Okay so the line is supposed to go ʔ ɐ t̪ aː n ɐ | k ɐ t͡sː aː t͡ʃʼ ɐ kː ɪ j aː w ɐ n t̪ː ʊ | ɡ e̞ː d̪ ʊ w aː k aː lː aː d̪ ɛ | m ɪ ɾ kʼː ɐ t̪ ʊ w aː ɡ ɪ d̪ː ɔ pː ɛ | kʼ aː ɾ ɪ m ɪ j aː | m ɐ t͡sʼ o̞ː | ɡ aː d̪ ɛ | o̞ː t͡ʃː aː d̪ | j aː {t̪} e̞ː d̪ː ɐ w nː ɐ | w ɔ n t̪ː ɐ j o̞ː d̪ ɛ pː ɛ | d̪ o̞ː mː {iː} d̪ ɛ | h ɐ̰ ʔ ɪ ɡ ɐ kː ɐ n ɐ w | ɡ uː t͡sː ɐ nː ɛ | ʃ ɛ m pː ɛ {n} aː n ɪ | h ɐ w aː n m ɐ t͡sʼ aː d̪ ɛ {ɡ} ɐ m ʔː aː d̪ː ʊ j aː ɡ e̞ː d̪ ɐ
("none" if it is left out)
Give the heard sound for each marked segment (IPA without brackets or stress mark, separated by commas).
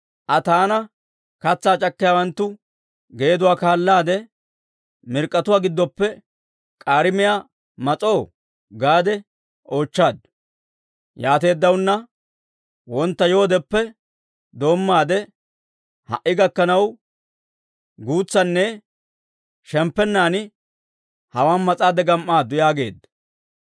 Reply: t̪, aː, nː, ɡ